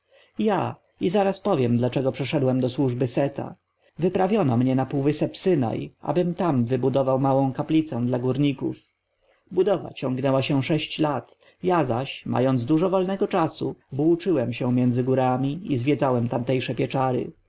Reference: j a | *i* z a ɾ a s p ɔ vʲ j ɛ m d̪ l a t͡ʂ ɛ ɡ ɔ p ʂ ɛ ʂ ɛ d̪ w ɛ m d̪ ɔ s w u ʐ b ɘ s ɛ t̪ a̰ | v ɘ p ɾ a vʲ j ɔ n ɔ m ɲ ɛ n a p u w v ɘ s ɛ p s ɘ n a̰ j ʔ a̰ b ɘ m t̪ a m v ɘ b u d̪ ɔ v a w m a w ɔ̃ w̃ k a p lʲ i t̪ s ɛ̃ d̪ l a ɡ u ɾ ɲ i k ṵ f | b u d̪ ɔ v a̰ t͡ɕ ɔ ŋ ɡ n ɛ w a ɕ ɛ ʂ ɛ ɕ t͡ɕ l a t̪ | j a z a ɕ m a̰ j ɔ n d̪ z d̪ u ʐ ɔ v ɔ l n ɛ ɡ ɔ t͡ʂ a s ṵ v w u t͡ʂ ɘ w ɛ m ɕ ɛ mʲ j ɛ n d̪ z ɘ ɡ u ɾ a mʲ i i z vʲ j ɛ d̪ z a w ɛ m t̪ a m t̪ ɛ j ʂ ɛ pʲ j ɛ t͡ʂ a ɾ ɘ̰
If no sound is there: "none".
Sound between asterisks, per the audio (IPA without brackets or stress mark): i